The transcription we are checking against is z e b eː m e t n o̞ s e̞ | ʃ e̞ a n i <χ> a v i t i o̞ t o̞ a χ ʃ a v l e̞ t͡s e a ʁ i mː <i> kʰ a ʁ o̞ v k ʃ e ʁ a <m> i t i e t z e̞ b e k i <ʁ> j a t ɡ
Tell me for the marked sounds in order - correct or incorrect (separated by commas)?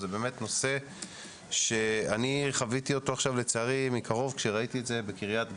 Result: correct, correct, incorrect, correct